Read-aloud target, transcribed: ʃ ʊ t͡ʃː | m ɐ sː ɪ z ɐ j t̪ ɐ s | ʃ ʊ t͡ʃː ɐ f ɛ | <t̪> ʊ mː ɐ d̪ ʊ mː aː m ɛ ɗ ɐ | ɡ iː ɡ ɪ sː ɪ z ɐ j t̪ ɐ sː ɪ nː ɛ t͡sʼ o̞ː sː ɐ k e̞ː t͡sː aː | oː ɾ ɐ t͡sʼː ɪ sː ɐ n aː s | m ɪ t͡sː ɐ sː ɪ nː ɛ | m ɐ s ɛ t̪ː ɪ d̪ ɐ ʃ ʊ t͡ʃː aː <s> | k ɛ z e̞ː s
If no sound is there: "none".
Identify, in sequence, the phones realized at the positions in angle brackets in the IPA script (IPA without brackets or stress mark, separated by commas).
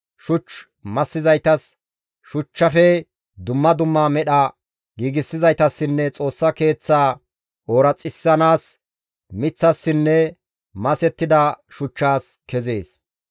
d̪, s